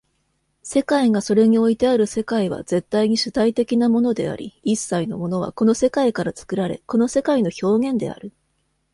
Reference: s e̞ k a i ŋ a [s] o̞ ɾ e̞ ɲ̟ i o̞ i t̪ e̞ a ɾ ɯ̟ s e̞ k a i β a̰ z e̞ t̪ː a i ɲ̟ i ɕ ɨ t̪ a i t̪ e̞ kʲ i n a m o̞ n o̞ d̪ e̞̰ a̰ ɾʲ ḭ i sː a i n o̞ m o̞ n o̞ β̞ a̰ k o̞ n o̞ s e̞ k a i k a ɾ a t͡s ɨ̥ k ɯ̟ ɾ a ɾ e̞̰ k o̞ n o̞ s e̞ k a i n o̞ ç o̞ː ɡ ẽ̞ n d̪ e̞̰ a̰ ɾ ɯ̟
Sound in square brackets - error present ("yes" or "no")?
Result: no